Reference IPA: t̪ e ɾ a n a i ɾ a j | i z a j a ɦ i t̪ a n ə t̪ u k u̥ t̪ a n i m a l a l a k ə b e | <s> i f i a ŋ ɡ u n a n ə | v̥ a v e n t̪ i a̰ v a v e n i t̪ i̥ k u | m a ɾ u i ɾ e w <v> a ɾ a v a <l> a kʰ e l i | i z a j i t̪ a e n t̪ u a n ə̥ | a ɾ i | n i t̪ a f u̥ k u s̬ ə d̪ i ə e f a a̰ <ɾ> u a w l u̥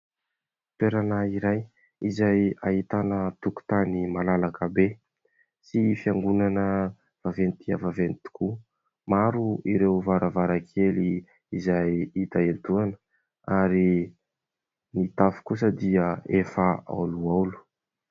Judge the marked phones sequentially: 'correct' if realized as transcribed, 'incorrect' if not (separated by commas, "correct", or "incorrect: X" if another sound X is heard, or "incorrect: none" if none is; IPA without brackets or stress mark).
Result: correct, correct, incorrect: ɾ, incorrect: l